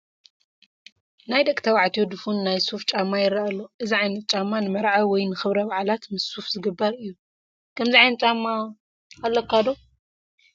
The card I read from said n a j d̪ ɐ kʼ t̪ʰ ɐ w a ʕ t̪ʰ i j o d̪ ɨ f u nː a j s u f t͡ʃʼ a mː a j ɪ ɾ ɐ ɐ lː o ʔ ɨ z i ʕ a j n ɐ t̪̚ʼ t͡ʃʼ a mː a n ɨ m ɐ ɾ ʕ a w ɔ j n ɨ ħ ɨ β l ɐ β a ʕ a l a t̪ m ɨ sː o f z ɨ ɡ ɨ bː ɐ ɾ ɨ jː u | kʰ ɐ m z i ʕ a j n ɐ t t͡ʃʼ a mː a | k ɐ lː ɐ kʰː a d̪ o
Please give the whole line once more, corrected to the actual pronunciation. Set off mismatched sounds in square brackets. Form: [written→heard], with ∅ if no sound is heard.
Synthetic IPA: n a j d̪ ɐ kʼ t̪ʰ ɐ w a ʕ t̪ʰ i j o d̪ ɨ f u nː a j s u f t͡ʃʼ a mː a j ɪ ɾ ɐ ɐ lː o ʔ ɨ z i ʕ a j n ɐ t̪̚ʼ t͡ʃʼ a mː a n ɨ m ɐ ɾ ʕ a w ɔ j n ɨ [ħ→x] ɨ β [l→ɾ] ɐ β a ʕ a l a t̪ m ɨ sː [o→u] f z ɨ ɡ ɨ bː ɐ ɾ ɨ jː u | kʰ ɐ m z i ʕ a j n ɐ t t͡ʃʼ a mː a | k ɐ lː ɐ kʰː a d̪ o

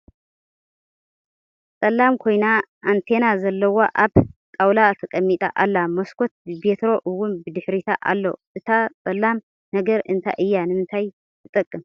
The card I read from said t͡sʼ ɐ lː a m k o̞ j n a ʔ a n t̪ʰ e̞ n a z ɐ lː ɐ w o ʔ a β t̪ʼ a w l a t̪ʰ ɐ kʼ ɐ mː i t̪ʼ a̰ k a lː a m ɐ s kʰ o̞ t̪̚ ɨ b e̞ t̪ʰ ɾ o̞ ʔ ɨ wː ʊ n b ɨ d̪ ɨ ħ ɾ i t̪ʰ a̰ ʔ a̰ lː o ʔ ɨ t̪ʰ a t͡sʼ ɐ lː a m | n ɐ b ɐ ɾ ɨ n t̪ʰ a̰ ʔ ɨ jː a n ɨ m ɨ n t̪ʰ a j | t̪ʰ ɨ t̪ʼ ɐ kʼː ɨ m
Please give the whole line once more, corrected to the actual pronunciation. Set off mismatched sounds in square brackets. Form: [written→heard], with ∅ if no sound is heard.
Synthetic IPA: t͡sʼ ɐ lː a m [k→kʰ] o̞ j n a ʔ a n t̪ʰ e̞ n a z ɐ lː ɐ w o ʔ a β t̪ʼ a w l a t̪ʰ ɐ kʼ ɐ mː i t̪ʼ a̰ [k→ʔ] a lː a m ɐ s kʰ o̞ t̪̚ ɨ b e̞ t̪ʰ ɾ o̞ ʔ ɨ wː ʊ n b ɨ d̪ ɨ ħ ɾ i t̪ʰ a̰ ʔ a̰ lː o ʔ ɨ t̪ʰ a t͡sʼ ɐ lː a m | n ɐ [b→ɡ] ɐ ɾ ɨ n t̪ʰ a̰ ʔ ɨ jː a n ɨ m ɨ n t̪ʰ a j | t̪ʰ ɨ t̪ʼ ɐ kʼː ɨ m

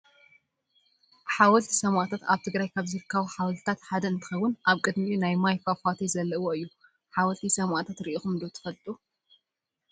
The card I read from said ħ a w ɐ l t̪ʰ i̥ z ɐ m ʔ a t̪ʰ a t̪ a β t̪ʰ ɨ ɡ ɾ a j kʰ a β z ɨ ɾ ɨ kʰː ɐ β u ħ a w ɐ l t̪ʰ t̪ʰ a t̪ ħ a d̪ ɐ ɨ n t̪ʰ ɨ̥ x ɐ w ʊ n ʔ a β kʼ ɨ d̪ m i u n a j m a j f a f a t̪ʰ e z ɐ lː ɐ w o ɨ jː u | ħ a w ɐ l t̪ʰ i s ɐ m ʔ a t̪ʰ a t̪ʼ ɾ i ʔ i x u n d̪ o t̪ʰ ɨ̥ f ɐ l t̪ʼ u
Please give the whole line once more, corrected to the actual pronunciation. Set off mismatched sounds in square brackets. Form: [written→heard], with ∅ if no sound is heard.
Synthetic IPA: ħ a w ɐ l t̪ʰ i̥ [z→s] ɐ m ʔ a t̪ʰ a t̪ a β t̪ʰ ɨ ɡ ɾ a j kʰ a β z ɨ ɾ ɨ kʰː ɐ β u ħ a w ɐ l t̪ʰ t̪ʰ a t̪ ħ a d̪ ɐ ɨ n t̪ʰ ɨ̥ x ɐ w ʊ n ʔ a β kʼ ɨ d̪ m i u n a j m a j f a f a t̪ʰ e z ɐ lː ɐ w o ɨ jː u | ħ a w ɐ l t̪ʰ i s ɐ m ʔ a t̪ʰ a [t̪ʼ→t̪] ɾ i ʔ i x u [n→m] d̪ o t̪ʰ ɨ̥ f ɐ l t̪ʼ u

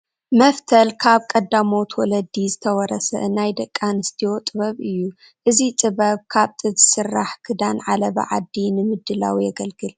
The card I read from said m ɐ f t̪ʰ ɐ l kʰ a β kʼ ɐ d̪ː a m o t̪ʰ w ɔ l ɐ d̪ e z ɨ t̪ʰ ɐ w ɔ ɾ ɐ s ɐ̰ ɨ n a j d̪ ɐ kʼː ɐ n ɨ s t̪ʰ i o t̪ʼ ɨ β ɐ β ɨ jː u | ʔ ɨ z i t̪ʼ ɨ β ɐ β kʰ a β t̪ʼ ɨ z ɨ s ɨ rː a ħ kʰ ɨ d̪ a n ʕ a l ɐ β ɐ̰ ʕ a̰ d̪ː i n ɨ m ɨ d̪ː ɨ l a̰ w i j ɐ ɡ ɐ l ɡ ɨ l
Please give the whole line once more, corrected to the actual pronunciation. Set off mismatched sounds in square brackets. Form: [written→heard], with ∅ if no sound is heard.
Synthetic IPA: m ɐ f t̪ʰ ɐ l kʰ a β kʼ ɐ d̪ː a m o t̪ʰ w ɔ l ɐ d̪ [e→i] z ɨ t̪ʰ ɐ w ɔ ɾ ɐ s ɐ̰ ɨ n a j d̪ ɐ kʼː [ɐ→a] n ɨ s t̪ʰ i o t̪ʼ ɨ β ɐ β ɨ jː u | ʔ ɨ z i t̪ʼ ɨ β ɐ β kʰ a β t̪ʼ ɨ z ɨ s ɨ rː a ħ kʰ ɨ d̪ a n ʕ a l ɐ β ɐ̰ ʕ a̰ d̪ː i n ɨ m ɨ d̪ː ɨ l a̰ w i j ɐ ɡ ɐ l ɡ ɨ l

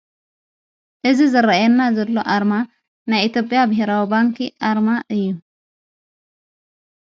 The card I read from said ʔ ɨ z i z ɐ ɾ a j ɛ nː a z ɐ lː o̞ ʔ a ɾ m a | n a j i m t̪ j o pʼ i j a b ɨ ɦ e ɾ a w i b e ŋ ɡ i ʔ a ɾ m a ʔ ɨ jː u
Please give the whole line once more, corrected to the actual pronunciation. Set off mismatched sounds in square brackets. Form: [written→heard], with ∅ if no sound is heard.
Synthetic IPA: ʔ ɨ z i z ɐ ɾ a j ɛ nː a z ɐ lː o̞ ʔ a ɾ m a | n a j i [m→∅] t̪ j o pʼ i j a b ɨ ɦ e ɾ a w i b [e→a] ŋ [ɡ→k] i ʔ a ɾ m a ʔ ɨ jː u

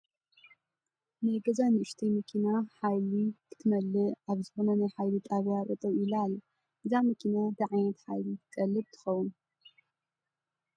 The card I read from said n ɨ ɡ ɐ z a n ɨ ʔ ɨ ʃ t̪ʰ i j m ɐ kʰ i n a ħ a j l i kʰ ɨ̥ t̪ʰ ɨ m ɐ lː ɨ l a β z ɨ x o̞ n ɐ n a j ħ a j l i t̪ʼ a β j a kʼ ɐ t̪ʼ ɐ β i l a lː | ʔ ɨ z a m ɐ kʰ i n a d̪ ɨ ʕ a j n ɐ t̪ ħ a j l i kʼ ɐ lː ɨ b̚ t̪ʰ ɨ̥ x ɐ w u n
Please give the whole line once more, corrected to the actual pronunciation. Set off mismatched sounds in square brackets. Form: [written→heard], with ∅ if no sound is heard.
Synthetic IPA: n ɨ ɡ ɐ z a n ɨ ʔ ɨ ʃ t̪ʰ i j m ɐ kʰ i n a ħ a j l i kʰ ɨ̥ t̪ʰ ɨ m ɐ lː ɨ [l→∅] a β z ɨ x o̞ n ɐ n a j ħ a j l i t̪ʼ a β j a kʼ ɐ t̪ʼ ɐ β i l a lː | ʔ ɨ z a m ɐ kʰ i n a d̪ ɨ ʕ a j n ɐ t̪ ħ a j l i kʼ ɐ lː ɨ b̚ t̪ʰ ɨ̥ x ɐ w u n

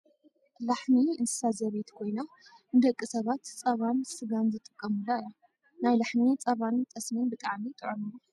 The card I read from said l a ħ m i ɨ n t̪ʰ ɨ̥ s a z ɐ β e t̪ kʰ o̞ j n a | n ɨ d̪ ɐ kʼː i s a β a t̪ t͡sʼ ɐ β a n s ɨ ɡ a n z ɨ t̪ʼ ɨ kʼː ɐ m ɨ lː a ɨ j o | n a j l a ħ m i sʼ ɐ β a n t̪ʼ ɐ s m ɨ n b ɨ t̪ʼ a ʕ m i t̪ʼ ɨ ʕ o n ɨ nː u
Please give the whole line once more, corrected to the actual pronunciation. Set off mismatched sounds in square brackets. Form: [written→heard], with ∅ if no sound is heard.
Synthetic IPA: l a ħ m i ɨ n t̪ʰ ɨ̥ s a z ɐ β e t̪ kʰ o̞ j n a | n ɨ d̪ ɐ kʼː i s [a→ɐ] β a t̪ t͡sʼ ɐ β a n s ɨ ɡ a n z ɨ t̪ʼ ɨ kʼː ɐ m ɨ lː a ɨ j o | n a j l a ħ m i [sʼ→t͡sʼ] ɐ β a n t̪ʼ ɐ s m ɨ n b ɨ t̪ʼ a ʕ m i t̪ʼ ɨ ʕ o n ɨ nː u

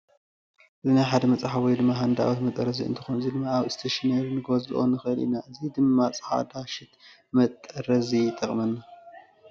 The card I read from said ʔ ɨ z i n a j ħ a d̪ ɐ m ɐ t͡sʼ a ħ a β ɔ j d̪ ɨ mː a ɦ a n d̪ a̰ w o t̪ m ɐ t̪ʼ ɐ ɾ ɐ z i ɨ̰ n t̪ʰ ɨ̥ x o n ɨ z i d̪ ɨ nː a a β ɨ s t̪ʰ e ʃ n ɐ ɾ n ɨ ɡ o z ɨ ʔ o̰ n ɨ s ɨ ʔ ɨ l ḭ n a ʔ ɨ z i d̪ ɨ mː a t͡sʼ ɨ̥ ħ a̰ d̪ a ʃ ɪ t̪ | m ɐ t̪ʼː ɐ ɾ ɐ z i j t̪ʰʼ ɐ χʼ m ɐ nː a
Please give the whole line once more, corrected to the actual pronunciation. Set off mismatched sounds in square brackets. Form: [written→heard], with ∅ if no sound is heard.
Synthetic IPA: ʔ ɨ z i n a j ħ a d̪ ɐ m ɐ t͡sʼ a ħ a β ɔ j d̪ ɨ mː a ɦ a n d̪ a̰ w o t̪ m ɐ t̪ʼ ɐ ɾ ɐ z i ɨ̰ n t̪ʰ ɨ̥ x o n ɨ z i d̪ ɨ [nː→mː] a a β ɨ s t̪ʰ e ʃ n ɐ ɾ n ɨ ɡ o z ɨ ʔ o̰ n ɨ [s→x] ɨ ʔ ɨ l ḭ n a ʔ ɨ z i d̪ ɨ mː a t͡sʼ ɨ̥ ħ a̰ d̪ a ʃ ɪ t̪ | m ɐ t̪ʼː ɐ ɾ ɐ z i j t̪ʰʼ ɐ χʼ m ɐ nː a

